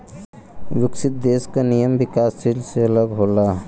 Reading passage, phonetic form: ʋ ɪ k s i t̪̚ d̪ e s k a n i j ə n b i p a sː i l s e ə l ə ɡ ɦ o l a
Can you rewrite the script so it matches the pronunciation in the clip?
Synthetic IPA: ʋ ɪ k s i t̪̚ d̪ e s k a n i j ə m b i k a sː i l s e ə l ə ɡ ɦ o l a